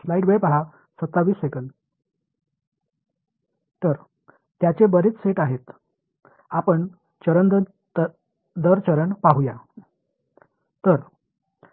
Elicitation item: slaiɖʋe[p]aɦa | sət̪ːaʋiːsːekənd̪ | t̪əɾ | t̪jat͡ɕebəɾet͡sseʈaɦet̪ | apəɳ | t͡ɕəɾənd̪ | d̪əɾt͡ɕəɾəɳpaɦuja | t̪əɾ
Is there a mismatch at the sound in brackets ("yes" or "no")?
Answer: no